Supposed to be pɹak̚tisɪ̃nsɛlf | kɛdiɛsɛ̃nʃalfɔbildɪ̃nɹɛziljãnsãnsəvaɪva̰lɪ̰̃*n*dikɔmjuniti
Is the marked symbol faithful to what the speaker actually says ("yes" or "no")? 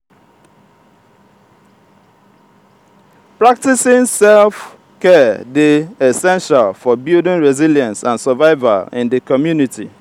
yes